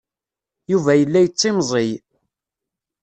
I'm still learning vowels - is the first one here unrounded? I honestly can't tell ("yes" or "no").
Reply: no